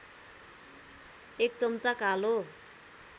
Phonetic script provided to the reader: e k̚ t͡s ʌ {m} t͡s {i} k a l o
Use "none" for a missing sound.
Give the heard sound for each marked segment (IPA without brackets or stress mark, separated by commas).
m, a